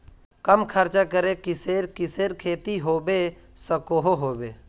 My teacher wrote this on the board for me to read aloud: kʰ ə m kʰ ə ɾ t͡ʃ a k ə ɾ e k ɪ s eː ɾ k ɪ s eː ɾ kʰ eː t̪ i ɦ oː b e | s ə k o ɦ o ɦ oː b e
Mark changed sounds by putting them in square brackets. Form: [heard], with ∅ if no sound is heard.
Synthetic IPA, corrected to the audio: [k] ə m kʰ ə ɾ t͡ʃ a k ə ɾ e k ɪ s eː ɾ k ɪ s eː ɾ kʰ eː t̪ i ɦ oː b e | s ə k o ɦ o ɦ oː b e